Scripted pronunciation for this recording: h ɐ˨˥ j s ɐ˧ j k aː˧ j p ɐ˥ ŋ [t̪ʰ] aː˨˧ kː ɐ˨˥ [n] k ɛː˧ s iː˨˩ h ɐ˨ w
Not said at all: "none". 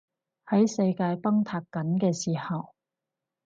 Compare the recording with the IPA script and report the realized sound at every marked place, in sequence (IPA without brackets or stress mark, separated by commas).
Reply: t̪ʰ, n